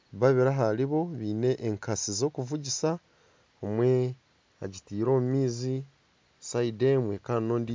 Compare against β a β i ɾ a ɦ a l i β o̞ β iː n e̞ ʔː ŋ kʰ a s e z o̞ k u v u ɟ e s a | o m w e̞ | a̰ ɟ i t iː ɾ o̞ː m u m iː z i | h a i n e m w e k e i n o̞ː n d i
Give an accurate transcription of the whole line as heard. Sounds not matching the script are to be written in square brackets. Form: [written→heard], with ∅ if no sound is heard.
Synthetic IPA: β a β i ɾ a ɦ a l i β o̞ β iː n e̞ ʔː ŋ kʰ a s [e→i] z o̞ k u v u ɟ [e→i] s a | o m w e̞ | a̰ ɟ i t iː ɾ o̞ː m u m iː z i | [h→s] a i [n→d] e m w e k [e→a] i n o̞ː n d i